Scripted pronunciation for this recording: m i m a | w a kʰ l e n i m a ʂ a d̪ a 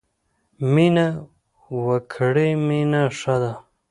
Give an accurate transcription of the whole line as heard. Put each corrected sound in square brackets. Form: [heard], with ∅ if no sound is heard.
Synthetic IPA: m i [n] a | w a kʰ [ɽ] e [m] i [n] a ʂ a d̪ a

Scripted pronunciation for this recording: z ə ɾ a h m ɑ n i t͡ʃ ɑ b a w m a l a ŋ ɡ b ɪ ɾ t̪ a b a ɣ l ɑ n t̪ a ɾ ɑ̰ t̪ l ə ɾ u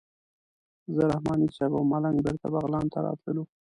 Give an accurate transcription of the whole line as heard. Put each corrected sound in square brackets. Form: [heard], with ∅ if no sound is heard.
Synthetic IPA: z ə ɾ a h m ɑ n i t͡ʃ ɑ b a w m a l a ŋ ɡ b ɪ ɾ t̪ a b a ɣ l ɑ n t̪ a ɾ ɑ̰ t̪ l ə [l] u

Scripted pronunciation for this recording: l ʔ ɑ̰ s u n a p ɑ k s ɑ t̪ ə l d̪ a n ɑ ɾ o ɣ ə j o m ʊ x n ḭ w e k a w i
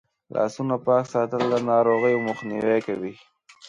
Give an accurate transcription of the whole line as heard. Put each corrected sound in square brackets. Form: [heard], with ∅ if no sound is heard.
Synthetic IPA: l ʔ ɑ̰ s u n a p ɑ k s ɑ t̪ ə l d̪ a n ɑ ɾ o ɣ ə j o m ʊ x n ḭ w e k a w i

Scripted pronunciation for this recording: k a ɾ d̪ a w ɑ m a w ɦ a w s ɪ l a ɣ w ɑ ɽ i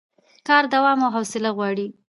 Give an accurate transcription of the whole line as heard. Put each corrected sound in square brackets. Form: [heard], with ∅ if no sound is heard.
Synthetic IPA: k [ɑ] ɾ d̪ a w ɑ m a w ɦ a w s ɪ l a ɣ w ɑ ɽ i

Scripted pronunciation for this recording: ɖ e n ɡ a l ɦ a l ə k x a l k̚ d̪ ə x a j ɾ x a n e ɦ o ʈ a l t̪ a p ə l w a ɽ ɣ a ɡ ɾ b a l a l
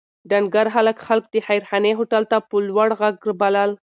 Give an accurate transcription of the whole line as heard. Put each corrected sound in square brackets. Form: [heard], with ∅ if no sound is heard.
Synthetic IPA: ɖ [a] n ɡ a [ɾ] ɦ a l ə k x a l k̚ d̪ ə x a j ɾ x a n e ɦ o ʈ a l t̪ a p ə l w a ɽ ɣ a ɡ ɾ b a l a l

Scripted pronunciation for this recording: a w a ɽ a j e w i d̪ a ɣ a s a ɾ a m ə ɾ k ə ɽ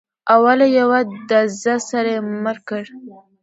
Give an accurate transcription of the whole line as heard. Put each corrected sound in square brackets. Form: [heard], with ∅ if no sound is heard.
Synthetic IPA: a w a [l] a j [a] w [a] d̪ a [z] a s a ɾ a m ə ɾ k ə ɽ

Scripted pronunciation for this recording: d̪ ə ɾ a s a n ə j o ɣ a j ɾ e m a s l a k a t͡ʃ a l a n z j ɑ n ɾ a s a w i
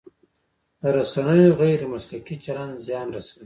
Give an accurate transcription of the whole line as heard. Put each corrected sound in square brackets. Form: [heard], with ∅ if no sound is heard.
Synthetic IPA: d̪ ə ɾ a s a n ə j o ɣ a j ɾ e m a s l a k [i] t͡ʃ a l a n z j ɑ n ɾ a s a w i

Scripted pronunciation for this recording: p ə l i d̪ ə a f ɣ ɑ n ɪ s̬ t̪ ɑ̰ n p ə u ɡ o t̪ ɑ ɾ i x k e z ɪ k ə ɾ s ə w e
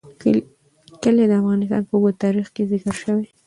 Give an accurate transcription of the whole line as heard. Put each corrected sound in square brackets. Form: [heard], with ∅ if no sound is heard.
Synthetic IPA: [k] ə l [e] d̪ ə a f ɣ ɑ n ɪ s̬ t̪ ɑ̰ n p ə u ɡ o t̪ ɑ ɾ i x k e z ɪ k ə ɾ [ʃ] ə w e

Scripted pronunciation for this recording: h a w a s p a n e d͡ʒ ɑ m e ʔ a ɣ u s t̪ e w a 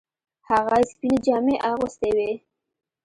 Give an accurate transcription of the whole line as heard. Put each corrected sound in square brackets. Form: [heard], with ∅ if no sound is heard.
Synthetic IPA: h a [ɣ] a s p [i] n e d͡ʒ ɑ m e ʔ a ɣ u s t̪ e w [e]

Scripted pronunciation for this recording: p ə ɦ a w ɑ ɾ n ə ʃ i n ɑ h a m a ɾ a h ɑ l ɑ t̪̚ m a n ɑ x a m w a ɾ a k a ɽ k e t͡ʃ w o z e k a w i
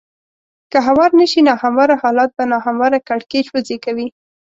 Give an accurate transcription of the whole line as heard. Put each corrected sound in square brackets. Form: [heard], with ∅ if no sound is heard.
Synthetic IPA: [k] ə ɦ a w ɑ ɾ n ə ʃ i n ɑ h a m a ɾ a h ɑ l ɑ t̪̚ [b] a n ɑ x a m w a ɾ a k a ɽ k e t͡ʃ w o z e k a w i

